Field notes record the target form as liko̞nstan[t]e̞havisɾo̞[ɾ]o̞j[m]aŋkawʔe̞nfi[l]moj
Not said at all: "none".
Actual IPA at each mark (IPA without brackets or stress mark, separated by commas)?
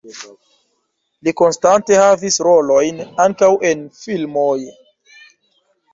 t, l, n, l